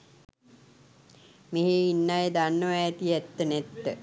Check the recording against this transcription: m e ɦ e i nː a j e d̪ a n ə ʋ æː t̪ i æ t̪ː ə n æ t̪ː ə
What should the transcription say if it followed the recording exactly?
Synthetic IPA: m e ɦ e i nː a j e d̪ a nː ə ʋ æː t̪ i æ t̪ː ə n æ t̪ː ə